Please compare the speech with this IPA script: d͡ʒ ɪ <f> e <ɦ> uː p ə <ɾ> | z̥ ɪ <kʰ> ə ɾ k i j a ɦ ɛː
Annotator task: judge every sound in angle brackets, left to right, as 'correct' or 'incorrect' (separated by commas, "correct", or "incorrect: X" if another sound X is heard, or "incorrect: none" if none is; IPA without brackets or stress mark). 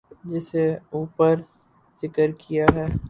incorrect: s, incorrect: none, correct, incorrect: k